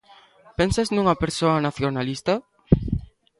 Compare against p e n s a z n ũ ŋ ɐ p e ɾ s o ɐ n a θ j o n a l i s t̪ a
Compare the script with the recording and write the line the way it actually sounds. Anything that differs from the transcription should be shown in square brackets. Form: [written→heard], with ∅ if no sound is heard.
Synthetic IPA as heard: p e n s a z n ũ ŋ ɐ p e ɾ s o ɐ n a θ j o n a l i s t̪ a